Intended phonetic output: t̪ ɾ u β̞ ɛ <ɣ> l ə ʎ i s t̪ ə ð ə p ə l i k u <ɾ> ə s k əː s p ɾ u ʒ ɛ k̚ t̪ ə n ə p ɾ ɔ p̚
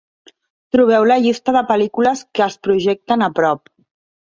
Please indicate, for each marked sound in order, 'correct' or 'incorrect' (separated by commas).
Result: incorrect, incorrect